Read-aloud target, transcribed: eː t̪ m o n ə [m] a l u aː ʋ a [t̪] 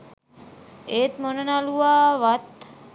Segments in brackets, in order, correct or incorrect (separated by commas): incorrect, correct